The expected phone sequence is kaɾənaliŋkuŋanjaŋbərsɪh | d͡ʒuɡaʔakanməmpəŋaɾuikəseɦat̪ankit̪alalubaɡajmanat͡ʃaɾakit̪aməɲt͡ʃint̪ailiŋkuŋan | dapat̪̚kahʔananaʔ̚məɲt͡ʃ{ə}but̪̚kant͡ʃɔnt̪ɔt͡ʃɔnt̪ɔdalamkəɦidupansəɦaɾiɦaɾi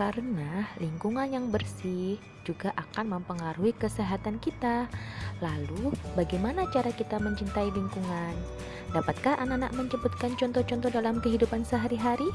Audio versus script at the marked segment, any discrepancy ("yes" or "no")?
no